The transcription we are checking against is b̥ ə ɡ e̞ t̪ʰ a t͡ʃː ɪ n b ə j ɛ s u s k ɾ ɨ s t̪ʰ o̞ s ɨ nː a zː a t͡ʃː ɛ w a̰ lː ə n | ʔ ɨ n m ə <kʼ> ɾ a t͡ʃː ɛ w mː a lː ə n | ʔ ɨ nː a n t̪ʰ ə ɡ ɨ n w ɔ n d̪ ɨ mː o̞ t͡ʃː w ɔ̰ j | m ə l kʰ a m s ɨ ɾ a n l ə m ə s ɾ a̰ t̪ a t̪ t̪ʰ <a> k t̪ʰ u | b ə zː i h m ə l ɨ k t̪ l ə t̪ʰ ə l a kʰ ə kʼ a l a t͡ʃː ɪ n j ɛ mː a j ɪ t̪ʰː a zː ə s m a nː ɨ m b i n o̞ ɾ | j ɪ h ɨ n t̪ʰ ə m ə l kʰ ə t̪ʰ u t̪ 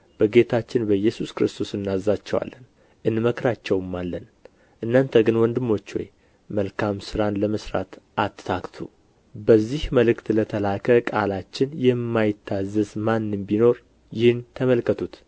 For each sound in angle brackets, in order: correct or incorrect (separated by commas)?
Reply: incorrect, correct